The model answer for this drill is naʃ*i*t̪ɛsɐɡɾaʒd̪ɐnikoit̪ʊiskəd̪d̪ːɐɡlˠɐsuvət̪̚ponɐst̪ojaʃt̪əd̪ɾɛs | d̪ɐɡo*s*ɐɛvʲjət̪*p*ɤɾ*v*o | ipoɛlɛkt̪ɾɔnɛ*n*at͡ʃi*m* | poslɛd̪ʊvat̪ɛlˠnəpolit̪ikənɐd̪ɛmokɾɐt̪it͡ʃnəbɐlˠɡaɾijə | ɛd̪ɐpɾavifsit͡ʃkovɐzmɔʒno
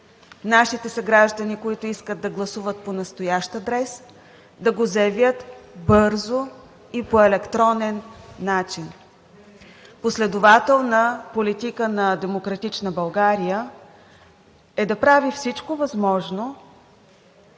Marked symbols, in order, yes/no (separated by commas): yes, no, no, no, no, no